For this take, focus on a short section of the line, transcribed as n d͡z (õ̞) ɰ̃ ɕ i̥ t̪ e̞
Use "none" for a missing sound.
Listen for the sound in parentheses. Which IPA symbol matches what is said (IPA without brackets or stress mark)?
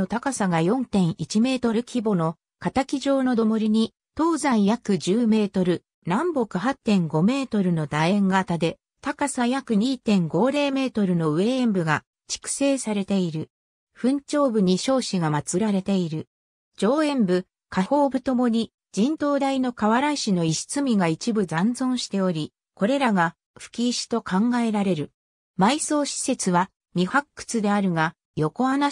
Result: õ̞